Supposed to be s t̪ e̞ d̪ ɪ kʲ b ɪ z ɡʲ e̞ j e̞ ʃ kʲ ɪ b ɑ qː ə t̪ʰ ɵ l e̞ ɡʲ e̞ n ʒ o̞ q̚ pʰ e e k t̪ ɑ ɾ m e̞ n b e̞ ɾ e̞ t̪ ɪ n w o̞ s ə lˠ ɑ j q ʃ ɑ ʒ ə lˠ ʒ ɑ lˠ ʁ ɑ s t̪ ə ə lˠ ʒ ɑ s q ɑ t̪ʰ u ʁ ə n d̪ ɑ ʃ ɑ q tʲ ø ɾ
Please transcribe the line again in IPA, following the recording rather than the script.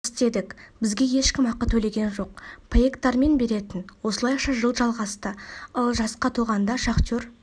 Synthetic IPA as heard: s t̪ e̞ d̪ ɪ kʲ b ɪ z ɡʲ e̞ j e̞ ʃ kʲ ɪ m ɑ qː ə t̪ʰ ɵ l e̞ ɡʲ e̞ n ʒ o̞ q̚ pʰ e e k t̪ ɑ ɾ m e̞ n b e̞ ɾ e̞ t̪ ɪ n w o̞ s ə lˠ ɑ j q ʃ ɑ ʒ ə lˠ ʒ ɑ lˠ ʁ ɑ s t̪ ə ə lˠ ʒ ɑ s q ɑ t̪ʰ u ʁ ɑ n d̪ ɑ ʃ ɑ q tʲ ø ɾ